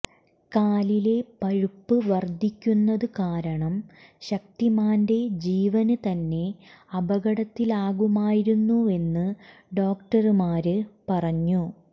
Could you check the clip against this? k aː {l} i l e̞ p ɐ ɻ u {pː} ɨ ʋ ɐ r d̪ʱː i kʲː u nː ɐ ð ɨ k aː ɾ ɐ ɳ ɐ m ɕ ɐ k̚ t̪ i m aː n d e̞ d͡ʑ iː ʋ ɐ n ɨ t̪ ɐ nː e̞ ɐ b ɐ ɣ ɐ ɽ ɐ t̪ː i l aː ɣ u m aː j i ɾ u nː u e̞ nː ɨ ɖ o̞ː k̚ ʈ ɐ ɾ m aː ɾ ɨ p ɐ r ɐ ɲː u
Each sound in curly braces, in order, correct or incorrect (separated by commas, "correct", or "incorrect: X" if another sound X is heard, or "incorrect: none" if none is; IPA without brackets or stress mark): correct, correct